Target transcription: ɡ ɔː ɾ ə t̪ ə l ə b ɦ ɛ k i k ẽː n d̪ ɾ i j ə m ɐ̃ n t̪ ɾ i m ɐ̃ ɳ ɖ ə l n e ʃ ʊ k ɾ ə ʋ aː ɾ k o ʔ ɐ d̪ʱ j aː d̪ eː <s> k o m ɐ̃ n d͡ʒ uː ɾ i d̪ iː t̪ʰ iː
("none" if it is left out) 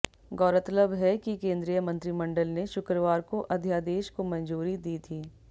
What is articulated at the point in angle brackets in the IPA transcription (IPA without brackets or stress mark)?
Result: ʃ